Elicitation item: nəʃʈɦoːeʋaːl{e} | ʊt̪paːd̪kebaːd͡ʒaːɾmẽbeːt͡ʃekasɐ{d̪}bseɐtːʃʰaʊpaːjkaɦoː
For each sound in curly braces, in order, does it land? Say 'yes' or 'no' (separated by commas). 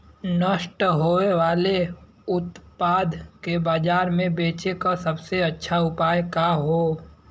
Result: yes, no